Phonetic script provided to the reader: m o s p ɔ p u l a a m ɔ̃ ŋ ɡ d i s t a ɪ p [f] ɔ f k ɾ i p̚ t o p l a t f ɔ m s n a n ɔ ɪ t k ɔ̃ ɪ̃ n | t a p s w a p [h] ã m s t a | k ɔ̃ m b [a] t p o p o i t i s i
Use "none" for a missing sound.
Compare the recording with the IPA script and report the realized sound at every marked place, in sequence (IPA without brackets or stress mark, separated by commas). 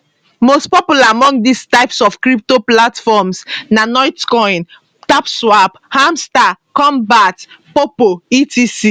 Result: s, h, a